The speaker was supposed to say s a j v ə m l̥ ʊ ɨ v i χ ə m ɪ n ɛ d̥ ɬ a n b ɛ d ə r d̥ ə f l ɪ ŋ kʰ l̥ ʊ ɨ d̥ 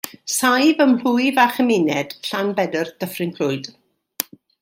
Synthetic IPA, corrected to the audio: s a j v ə m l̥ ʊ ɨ v a χ ə m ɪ n ɛ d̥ ɬ a n b ɛ d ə r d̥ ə f r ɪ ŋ kʰ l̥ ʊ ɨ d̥